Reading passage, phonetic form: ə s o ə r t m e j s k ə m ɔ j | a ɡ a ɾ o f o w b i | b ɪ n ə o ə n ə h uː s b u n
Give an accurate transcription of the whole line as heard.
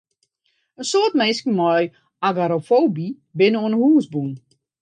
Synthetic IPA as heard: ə s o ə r t m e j s k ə m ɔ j | a ɡ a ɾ o f o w b i | b ɪ n ə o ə n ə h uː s b u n